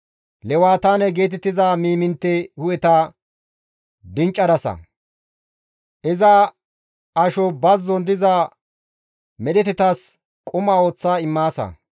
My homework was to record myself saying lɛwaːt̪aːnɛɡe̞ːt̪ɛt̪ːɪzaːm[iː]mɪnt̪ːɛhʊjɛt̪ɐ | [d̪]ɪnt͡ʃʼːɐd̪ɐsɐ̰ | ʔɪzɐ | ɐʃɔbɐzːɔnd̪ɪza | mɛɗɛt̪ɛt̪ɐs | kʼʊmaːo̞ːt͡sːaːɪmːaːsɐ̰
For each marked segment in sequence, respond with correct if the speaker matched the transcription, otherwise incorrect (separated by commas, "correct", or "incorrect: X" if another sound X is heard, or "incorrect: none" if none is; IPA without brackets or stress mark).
correct, correct